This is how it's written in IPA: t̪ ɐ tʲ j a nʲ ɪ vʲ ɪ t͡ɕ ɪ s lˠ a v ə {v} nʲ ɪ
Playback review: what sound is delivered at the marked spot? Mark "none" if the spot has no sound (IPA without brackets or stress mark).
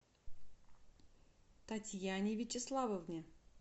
v